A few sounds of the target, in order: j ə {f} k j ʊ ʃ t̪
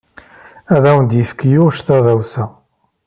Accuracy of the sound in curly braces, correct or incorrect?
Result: correct